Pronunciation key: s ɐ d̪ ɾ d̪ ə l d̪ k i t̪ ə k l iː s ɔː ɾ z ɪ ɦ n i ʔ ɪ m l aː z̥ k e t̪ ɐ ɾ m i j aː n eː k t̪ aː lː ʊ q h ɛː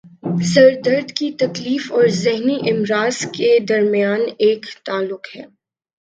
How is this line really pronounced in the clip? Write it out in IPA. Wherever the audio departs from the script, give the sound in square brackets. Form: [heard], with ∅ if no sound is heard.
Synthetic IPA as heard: s ɐ [∅] ɾ d̪ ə [ɾ] d̪ k i t̪ [ɐ] k l iː [f] ɔː ɾ z ɪ ɦ n i ʔ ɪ m [ɾ] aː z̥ k e [d̪] ɐ ɾ m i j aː n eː k t̪ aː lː ʊ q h ɛː